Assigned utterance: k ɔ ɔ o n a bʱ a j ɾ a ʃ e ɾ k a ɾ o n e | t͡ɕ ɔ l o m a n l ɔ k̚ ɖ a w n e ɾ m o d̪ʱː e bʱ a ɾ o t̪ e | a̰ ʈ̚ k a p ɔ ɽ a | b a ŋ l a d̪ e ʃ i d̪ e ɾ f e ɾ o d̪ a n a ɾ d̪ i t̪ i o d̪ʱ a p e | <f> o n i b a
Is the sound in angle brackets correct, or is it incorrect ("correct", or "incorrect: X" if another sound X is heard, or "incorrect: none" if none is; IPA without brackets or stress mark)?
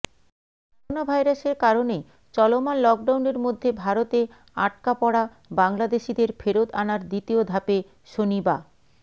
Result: incorrect: ʃ